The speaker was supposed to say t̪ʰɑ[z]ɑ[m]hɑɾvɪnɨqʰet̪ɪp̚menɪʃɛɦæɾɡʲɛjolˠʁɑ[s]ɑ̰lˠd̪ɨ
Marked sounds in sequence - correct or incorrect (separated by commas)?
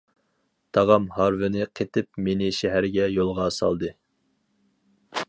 incorrect, correct, correct